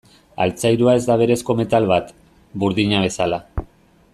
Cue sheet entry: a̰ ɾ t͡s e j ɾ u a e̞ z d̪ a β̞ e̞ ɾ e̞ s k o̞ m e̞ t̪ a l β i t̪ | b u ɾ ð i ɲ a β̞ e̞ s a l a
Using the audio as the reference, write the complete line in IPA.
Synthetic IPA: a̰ l t͡s a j ɾ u a e̞ z d̪ a β̞ e̞ ɾ e̞ s k o̞ m e̞ t̪ a l β a t̪ | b u ɾ ð i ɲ a β̞ e̞ s a l a